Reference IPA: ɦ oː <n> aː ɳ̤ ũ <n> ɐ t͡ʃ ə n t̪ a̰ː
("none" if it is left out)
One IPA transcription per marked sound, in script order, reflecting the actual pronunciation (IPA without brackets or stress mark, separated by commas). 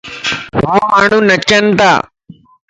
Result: m, n